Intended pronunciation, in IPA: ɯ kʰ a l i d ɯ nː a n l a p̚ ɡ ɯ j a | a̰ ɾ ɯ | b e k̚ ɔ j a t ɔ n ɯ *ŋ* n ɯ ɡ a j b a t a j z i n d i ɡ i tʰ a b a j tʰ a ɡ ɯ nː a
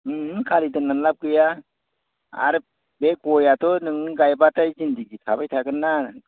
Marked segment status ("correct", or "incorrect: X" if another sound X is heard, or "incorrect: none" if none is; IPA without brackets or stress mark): correct